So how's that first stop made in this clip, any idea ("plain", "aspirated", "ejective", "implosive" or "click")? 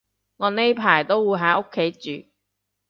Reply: aspirated